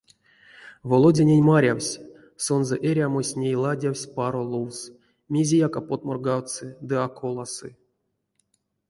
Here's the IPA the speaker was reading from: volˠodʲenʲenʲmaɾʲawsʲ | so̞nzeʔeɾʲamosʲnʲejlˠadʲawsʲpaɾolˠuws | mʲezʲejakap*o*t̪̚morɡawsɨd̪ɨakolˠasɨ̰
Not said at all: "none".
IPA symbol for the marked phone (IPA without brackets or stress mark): o